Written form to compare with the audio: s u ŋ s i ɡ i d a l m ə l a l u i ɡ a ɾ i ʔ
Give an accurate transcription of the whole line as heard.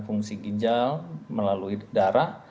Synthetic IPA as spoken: f u ŋ s i ɡ i d͡ʒ a l m ə l a l u i d a ɾ a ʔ